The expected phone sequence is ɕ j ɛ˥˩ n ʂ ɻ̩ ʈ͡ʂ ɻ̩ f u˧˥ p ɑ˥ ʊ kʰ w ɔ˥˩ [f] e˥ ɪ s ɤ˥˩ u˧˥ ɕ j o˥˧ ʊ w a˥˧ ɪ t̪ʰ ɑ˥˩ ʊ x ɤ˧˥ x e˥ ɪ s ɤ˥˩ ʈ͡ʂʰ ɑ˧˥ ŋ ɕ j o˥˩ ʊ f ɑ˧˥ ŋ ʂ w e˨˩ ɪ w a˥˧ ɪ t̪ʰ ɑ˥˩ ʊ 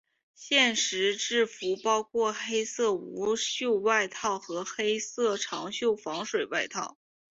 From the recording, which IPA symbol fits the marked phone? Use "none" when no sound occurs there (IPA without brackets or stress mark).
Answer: x